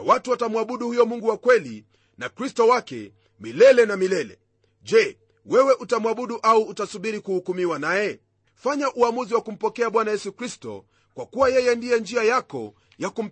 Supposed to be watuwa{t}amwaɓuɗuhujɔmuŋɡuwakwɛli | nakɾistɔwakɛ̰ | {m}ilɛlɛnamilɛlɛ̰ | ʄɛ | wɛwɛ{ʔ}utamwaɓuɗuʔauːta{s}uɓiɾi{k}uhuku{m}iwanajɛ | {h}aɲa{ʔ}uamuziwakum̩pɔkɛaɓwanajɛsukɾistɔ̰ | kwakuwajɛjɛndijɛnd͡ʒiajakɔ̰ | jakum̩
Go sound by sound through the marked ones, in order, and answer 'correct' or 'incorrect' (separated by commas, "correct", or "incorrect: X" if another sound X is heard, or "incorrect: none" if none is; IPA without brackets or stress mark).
correct, correct, correct, correct, correct, correct, incorrect: f, correct